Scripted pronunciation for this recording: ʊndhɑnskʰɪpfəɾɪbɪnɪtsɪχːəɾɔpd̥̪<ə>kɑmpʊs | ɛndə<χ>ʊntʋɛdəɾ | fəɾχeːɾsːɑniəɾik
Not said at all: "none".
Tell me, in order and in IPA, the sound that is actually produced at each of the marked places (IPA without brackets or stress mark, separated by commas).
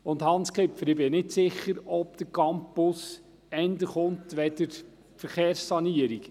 ə, χ